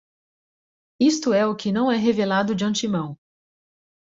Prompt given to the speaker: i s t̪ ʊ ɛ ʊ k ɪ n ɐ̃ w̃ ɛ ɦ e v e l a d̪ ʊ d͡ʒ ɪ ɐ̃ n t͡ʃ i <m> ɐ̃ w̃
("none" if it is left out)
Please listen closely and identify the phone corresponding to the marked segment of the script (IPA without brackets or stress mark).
m